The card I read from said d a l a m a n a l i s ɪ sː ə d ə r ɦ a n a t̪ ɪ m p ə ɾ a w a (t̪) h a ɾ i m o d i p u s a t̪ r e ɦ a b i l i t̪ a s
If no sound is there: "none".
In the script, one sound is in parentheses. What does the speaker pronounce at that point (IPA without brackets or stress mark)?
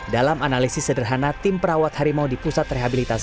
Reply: t̪